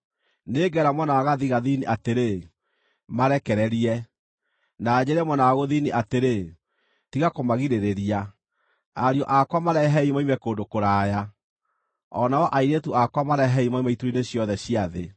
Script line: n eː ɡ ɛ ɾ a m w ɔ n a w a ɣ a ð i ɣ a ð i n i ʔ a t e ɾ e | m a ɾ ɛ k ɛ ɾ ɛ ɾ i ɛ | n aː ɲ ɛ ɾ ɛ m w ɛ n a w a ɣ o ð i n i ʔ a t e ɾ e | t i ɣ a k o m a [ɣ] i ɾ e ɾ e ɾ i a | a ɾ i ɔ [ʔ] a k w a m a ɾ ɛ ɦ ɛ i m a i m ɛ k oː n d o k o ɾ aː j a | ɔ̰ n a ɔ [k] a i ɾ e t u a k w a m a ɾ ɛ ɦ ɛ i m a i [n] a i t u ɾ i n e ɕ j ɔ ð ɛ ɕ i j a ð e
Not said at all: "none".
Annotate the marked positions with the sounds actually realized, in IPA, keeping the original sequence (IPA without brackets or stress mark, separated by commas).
ɣ, ʔ, ʔ, m